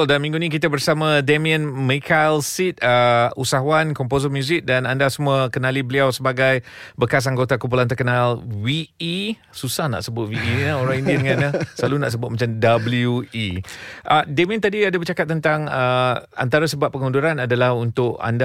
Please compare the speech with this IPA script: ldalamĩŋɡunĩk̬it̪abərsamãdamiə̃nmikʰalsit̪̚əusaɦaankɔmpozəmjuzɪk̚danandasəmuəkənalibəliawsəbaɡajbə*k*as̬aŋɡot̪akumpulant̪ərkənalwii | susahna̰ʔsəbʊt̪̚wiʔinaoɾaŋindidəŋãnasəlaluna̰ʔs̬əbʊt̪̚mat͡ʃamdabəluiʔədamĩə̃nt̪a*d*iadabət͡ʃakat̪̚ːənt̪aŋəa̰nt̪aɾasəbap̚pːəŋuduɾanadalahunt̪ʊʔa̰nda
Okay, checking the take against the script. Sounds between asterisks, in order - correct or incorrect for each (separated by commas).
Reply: correct, correct